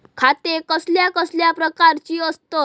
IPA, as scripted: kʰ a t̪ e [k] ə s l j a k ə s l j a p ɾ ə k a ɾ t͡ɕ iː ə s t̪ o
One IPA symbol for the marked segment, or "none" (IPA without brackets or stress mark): k